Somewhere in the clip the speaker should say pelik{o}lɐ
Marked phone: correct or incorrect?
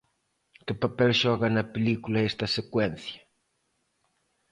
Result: incorrect